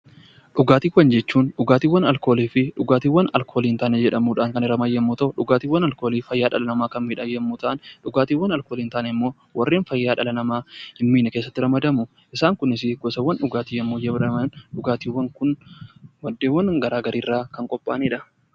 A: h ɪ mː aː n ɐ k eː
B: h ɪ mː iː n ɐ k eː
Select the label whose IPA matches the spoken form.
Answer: B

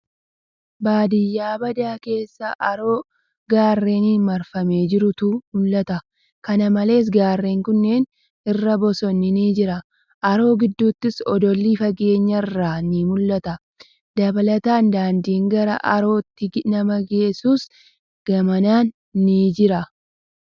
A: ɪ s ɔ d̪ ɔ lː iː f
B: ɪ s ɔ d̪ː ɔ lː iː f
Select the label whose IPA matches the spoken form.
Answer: A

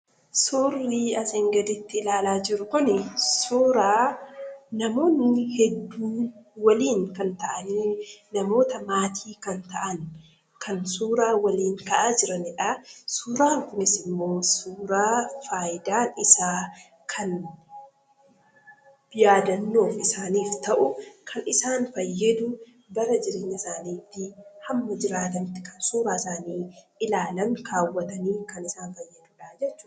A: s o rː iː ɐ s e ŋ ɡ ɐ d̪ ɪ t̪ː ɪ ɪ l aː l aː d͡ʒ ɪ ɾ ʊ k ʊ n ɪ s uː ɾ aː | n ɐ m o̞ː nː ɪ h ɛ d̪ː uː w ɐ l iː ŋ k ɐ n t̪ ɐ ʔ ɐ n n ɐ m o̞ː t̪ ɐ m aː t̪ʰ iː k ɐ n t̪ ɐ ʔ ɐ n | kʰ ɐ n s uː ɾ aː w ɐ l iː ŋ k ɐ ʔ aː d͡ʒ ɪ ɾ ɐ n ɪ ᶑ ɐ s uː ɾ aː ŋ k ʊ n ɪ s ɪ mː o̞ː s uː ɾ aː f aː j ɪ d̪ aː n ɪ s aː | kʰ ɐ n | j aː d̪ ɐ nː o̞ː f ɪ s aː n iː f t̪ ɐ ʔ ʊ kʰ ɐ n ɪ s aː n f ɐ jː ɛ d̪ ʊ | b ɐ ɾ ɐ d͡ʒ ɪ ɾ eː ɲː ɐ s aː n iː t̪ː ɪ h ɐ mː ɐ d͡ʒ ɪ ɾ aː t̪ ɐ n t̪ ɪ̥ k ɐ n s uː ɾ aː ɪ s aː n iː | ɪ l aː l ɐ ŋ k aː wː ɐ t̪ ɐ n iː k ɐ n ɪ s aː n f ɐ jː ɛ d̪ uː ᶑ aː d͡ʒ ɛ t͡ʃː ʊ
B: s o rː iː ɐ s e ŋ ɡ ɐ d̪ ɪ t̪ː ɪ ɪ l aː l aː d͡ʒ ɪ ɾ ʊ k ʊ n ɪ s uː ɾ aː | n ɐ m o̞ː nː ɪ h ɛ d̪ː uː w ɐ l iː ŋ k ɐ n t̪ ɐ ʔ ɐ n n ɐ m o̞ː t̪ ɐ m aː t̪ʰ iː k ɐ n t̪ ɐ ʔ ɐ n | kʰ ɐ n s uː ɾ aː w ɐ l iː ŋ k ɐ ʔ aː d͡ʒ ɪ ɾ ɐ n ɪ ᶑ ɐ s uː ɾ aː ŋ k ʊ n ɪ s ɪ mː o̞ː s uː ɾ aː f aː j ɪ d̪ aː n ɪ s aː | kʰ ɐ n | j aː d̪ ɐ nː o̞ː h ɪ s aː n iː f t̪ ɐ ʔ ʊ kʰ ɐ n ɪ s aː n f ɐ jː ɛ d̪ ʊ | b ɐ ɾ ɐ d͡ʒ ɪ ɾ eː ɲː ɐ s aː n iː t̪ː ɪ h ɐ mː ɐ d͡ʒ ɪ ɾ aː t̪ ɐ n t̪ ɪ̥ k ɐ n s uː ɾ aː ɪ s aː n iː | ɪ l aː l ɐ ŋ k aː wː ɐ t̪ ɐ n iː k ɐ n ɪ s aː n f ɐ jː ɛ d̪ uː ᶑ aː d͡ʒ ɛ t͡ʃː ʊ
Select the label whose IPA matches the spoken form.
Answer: A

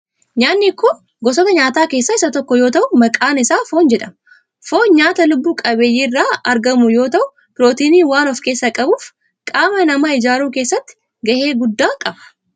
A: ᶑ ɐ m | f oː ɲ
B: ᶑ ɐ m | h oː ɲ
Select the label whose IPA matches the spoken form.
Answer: A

